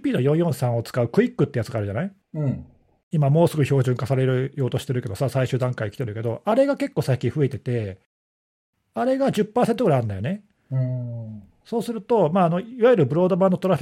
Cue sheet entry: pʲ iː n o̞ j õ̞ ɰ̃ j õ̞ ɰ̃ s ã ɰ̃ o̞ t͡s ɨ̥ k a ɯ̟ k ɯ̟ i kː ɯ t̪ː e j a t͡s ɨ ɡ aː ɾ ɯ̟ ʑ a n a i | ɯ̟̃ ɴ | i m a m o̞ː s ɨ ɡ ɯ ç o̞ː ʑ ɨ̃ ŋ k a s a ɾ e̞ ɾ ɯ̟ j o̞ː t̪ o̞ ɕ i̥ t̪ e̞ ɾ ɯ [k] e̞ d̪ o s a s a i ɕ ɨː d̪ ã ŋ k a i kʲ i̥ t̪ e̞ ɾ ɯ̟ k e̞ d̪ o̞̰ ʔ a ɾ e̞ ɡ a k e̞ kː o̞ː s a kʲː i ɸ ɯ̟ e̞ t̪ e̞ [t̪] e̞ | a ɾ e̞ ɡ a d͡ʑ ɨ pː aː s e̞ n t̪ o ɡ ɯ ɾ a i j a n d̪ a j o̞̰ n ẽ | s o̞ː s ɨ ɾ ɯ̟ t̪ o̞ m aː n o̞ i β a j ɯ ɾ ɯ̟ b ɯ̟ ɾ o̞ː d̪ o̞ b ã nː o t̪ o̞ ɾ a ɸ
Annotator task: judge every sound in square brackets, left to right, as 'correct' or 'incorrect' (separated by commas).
correct, correct